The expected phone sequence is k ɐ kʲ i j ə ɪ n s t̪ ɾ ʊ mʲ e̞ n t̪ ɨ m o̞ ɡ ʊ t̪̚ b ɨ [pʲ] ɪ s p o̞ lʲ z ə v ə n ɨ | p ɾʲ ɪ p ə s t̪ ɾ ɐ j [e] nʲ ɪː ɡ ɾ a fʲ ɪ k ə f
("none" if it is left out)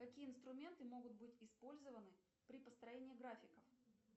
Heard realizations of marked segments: tʲ, e

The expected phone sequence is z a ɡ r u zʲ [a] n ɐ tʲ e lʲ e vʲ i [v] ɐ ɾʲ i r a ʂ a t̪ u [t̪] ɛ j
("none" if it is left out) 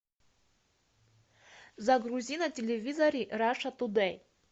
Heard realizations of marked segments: i, z, d̪

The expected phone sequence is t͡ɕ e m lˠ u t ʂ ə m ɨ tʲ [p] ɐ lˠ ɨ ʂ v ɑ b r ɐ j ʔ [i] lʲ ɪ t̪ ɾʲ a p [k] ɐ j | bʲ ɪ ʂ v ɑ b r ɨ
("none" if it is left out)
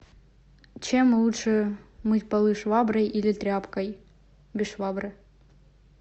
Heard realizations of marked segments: p, i, k

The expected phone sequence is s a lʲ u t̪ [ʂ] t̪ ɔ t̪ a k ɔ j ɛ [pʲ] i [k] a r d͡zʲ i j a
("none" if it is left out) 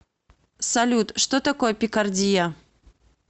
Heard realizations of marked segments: ʂ, pʲ, k

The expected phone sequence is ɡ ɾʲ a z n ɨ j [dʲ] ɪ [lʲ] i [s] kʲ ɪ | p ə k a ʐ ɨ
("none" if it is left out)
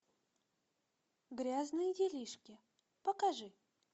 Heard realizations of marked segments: dʲ, lʲ, ʂ

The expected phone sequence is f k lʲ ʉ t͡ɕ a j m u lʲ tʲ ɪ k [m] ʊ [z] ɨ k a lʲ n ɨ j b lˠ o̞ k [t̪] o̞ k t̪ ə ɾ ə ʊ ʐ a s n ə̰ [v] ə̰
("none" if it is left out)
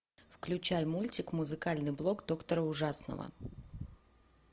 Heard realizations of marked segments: m, z, d̪, v

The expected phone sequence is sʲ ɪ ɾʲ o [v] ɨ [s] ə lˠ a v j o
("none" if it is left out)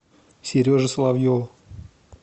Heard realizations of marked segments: ʐ, s

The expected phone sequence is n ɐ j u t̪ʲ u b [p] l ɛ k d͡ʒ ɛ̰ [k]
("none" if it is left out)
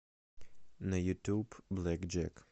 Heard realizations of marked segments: b, k

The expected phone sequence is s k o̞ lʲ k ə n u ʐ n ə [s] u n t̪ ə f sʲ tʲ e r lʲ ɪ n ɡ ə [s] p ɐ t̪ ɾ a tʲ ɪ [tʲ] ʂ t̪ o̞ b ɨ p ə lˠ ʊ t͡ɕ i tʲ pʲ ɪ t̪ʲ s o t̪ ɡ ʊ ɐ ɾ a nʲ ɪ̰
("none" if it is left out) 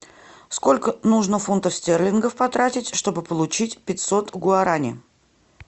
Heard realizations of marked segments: f, f, tʲ

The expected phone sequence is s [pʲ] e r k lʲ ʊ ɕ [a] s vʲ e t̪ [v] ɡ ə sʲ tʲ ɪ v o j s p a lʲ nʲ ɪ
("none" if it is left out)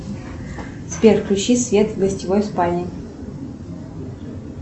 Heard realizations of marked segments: pʲ, i, v

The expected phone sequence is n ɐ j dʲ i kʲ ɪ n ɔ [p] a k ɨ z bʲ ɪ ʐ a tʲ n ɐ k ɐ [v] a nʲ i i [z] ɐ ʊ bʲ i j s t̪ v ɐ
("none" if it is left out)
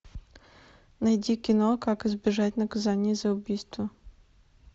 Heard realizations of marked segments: k, z, z

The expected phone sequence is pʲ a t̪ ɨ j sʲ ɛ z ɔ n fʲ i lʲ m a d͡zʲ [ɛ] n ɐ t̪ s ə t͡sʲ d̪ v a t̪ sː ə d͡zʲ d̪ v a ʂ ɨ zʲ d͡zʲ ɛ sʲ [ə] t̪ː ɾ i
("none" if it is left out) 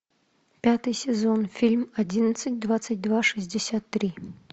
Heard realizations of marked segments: i, a

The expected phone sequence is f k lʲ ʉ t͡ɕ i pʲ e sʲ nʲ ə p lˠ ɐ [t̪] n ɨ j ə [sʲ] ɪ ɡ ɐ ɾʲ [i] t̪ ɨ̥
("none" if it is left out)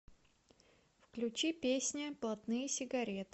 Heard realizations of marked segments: t̪, sʲ, e

